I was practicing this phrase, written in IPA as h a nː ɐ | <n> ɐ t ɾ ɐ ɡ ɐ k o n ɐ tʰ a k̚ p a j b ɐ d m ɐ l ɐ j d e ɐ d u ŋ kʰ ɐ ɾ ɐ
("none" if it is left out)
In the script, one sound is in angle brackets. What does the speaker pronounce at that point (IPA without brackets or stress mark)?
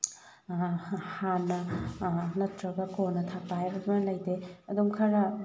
n